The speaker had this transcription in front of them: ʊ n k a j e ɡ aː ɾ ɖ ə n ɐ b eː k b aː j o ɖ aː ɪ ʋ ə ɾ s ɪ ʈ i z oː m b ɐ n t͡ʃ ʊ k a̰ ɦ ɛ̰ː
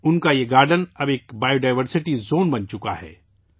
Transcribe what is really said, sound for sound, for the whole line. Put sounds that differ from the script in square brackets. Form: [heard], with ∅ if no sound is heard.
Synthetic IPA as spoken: ʊ n k a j e ɡ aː ɾ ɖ ə n ɐ b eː k b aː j o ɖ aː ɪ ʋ ə ɾ s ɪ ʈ i z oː [n] b ɐ n t͡ʃ ʊ k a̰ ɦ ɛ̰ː